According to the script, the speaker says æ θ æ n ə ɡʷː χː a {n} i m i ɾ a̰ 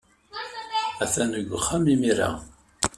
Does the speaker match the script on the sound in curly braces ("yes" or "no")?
no